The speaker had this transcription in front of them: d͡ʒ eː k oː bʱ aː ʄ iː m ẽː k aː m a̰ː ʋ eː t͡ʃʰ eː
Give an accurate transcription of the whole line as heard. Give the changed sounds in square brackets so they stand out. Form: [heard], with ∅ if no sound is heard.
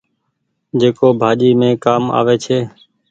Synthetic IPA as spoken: d͡ʒ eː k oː bʱ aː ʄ iː m ẽː k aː m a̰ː ʋ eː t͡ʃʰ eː